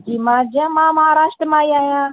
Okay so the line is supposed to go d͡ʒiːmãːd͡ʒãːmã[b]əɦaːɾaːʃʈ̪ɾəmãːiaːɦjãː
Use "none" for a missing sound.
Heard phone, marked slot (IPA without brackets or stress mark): m